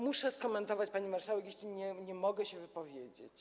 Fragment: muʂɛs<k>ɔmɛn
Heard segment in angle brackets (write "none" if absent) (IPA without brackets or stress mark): k